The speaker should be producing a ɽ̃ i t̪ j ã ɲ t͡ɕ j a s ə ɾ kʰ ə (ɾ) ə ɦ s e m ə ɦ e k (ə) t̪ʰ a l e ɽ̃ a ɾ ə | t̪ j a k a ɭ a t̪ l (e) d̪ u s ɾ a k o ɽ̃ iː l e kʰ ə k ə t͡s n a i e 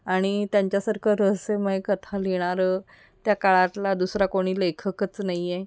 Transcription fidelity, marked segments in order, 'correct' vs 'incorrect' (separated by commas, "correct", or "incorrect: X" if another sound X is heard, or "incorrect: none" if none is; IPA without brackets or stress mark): correct, correct, incorrect: a